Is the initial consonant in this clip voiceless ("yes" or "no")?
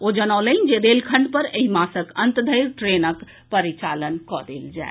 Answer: no